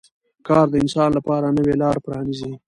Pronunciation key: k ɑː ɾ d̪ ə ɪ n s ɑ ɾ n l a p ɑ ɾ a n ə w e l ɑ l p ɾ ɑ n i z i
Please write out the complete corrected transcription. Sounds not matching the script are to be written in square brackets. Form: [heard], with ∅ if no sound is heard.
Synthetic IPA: k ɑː ɾ d̪ ə ɪ n s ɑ [∅] n l a p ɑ ɾ a n ə w e l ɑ [ɾ] p ɾ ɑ n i z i